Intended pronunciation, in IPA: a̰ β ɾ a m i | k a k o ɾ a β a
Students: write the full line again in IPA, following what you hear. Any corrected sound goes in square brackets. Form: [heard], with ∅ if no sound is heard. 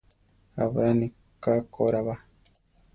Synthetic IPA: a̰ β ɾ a [n] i | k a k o ɾ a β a